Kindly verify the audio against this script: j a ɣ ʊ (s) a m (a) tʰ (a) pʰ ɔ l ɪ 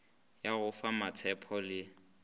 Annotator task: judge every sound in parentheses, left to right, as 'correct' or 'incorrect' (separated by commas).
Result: incorrect, correct, incorrect